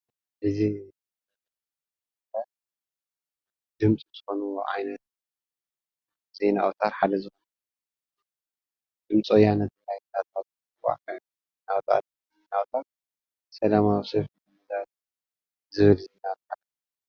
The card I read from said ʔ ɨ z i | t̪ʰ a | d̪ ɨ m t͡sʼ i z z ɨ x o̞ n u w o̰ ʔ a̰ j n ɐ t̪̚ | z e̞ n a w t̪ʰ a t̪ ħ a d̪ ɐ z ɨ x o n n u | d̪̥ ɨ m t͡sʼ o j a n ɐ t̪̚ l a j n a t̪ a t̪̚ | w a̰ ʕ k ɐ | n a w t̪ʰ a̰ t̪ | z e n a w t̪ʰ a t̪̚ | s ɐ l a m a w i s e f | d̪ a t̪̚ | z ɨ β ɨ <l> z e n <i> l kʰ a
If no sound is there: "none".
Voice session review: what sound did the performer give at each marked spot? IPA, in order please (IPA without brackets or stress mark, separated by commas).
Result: l, a